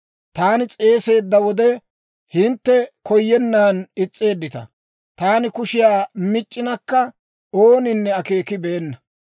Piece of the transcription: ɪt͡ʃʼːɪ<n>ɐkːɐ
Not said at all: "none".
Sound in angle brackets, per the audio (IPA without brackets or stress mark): n